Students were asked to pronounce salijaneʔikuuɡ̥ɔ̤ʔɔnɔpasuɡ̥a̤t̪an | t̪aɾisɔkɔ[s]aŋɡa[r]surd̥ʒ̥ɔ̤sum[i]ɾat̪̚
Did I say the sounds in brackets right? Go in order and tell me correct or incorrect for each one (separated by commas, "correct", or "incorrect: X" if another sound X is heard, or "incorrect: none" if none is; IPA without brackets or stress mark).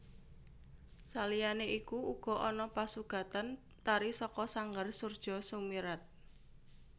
correct, correct, correct